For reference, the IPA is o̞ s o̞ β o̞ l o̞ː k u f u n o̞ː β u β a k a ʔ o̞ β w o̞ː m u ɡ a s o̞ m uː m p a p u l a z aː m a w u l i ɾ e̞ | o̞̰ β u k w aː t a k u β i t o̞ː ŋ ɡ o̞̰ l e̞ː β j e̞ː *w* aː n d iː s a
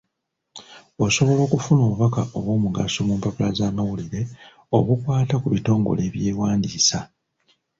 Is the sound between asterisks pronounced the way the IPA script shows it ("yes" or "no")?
yes